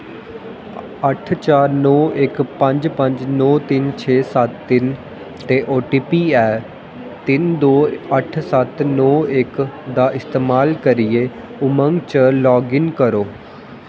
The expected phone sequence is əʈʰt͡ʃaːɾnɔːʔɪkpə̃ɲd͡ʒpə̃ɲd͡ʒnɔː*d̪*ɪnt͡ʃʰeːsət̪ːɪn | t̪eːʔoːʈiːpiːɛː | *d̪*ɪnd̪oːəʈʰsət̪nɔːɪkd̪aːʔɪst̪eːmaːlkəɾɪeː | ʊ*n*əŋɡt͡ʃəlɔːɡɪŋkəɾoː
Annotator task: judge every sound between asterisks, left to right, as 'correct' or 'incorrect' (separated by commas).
incorrect, incorrect, incorrect